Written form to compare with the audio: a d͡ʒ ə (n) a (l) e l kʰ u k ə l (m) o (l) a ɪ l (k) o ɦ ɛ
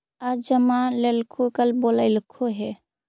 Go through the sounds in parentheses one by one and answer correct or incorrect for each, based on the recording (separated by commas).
incorrect, correct, incorrect, correct, incorrect